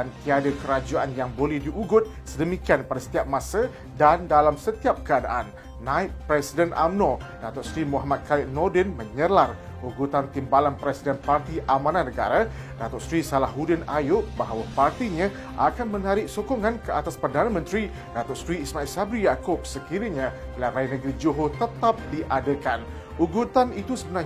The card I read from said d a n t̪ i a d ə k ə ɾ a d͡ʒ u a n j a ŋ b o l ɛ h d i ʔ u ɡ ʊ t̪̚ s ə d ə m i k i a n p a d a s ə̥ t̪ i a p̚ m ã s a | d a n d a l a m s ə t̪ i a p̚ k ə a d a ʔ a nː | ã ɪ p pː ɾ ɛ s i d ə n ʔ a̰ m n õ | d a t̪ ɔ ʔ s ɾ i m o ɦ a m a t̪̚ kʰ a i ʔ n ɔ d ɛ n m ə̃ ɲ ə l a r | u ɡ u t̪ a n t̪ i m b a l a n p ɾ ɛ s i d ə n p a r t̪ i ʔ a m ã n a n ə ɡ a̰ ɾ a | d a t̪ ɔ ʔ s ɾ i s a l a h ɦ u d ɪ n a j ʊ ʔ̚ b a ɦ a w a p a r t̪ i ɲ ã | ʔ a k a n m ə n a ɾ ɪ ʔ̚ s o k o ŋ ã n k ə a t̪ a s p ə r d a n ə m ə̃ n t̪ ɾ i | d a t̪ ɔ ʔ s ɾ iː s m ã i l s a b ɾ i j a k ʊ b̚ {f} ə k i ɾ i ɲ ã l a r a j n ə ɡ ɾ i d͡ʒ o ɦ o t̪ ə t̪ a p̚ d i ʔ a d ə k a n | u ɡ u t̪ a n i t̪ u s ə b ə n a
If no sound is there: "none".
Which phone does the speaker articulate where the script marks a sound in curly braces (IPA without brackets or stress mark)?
s